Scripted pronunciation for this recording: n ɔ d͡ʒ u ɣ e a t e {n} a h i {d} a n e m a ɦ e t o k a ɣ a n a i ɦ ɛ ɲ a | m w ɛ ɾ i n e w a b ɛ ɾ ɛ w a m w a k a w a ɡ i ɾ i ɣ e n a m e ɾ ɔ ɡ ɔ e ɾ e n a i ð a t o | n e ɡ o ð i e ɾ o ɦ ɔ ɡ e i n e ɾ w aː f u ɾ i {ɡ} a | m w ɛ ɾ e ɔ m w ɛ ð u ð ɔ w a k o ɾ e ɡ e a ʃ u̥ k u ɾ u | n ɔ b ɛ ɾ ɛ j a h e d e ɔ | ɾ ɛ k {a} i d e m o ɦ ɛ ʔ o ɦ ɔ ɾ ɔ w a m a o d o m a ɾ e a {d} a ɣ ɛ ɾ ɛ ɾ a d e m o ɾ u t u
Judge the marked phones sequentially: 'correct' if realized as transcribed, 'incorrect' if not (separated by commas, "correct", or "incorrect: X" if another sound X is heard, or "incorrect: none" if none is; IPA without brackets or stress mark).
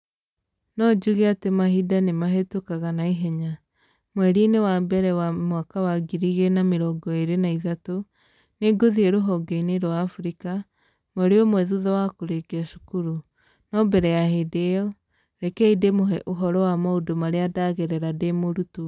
incorrect: m, correct, incorrect: k, incorrect: ɛ, correct